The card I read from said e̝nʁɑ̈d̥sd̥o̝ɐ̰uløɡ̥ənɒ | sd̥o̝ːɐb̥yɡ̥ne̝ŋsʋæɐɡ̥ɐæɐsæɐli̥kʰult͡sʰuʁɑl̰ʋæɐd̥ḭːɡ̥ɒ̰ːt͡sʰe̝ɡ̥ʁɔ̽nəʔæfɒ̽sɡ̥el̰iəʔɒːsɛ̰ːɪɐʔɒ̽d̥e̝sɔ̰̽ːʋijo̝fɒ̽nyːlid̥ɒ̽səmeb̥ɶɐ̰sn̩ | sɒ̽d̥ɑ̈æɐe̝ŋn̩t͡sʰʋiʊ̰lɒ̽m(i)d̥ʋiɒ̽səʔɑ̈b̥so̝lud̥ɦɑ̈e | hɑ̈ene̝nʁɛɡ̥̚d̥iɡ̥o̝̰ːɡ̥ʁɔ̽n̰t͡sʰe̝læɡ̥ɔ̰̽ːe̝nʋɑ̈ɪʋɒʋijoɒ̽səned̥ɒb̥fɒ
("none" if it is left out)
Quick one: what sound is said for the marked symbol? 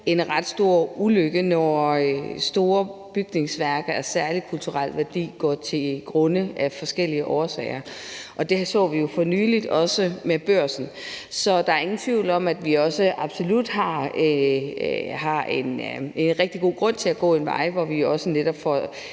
æ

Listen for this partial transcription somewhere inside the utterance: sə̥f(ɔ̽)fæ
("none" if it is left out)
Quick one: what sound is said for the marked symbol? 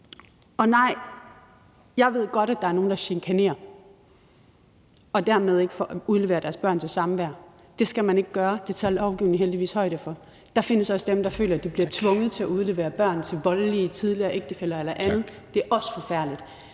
ɒ̽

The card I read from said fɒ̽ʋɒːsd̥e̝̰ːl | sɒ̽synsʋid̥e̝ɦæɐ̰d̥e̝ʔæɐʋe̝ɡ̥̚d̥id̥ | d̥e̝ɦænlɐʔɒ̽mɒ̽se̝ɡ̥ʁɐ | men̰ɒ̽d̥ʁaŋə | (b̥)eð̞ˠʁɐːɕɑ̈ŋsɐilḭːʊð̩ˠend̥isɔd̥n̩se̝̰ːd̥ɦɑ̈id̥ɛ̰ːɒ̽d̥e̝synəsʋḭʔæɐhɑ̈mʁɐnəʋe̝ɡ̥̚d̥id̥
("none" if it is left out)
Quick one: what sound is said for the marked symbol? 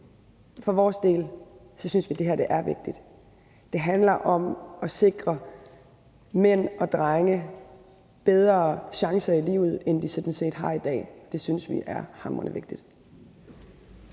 b̥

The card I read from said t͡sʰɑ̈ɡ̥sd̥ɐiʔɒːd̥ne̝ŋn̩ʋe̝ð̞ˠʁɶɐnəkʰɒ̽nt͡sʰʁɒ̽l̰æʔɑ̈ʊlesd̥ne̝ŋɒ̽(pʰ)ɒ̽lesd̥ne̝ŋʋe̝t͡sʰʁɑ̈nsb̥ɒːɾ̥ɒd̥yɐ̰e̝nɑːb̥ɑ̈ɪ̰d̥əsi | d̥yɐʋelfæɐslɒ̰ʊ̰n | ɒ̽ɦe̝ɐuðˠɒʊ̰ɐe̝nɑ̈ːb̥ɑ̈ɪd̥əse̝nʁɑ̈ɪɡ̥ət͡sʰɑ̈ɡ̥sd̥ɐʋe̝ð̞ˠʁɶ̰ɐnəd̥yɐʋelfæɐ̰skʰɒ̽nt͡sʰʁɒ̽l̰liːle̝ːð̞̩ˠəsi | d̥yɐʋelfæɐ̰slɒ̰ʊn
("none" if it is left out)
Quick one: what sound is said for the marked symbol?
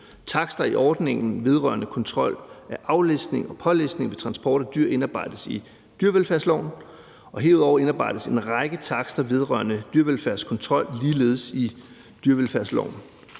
pʰ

